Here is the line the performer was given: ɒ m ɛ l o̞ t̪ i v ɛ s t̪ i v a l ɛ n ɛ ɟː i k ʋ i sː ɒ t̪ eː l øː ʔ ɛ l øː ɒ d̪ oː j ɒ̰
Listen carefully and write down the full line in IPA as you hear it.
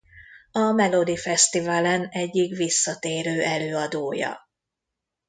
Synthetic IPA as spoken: ɒ m ɛ l o̞ d̪ i f ɛ s t̪ i v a l ɛ n ɛ ɟː i k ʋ i sː ɒ t̪ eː ɾ øː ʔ ɛ l øː ɒ d̪ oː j ɒ̰